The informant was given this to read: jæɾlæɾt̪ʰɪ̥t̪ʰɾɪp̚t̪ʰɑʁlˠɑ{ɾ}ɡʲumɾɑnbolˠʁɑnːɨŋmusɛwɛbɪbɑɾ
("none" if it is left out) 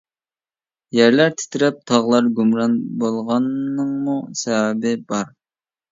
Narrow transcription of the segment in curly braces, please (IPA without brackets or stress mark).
ɾ